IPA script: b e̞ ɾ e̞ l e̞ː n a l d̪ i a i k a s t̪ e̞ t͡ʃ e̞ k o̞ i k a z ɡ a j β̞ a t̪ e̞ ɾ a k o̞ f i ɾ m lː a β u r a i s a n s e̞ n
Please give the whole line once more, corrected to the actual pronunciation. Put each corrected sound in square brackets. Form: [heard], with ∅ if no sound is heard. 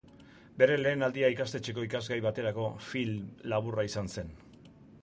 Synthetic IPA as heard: b e̞ ɾ e̞ l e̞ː n a l d̪ i a i k a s t̪ e̞ t͡ʃ e̞ k o̞ i k a z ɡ a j β̞ a t̪ e̞ ɾ a k o̞ f i [l] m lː a β u r a i s a n s e̞ n